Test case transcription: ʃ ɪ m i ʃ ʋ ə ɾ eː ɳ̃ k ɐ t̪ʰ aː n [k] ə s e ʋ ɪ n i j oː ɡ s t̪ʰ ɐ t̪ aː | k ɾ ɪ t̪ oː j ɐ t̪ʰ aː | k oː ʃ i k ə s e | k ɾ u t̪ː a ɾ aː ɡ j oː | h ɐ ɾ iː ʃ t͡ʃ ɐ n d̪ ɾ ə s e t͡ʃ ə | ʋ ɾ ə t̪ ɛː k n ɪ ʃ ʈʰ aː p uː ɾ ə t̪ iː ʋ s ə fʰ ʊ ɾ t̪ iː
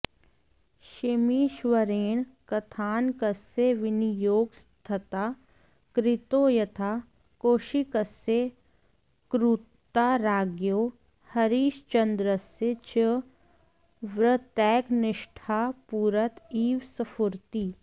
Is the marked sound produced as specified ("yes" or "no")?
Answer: yes